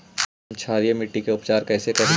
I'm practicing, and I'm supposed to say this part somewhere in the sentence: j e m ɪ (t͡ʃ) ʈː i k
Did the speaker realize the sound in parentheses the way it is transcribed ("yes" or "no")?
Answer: no